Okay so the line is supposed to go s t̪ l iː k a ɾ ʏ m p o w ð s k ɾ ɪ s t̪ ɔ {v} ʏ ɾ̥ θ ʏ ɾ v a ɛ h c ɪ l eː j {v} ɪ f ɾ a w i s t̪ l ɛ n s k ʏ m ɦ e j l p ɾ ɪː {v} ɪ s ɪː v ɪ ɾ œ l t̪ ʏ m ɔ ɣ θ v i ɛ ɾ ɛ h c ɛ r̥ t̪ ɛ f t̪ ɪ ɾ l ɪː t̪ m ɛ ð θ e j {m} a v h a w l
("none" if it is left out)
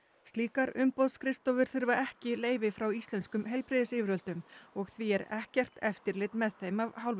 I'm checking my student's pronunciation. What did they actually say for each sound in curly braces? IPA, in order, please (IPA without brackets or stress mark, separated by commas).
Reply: v, v, ð, m